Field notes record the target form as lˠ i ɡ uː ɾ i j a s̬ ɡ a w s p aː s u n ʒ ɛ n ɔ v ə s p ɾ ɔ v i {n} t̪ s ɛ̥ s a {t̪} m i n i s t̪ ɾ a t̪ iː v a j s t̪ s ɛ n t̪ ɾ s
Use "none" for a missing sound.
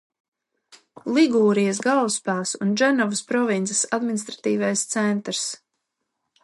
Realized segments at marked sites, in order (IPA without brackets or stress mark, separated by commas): n, d̪